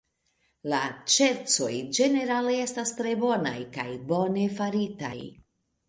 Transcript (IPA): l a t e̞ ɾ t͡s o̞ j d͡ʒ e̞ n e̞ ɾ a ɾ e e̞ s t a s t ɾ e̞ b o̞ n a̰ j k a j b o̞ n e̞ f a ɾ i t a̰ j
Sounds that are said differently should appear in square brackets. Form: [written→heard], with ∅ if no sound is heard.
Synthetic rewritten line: l a [t→t͡ʃ] e̞ ɾ t͡s o̞ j d͡ʒ e̞ n e̞ ɾ a [ɾ→l] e e̞ s t a s t ɾ e̞ b o̞ n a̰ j k a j b o̞ n e̞ f a ɾ i t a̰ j